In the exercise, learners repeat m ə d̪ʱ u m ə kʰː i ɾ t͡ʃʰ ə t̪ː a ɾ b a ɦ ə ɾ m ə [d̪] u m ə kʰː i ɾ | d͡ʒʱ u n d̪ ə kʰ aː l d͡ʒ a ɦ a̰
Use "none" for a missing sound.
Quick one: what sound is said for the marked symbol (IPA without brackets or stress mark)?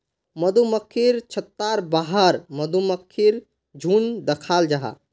d̪